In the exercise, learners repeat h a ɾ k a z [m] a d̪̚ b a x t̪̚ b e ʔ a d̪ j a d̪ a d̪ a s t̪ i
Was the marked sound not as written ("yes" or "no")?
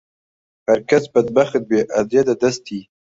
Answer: yes